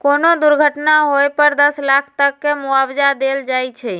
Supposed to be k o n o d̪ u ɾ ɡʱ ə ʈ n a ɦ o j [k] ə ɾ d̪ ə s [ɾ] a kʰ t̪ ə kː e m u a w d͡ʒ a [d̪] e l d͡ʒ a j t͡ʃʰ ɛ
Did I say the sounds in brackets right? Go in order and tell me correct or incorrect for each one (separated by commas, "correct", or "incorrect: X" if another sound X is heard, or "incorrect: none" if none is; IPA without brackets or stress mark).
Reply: incorrect: p, incorrect: l, correct